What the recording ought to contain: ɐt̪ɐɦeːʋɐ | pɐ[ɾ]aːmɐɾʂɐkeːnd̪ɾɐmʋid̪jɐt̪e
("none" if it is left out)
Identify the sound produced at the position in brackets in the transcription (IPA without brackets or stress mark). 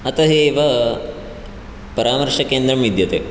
ɾ